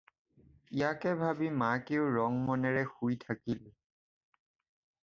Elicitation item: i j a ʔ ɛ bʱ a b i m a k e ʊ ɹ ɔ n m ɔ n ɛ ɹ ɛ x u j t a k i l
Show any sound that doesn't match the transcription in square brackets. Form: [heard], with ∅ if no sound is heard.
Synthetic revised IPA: i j a [k] ɛ bʱ a b i m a k e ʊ ɹ ɔ [ŋ] m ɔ n ɛ ɹ ɛ x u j [tʰ] a k i l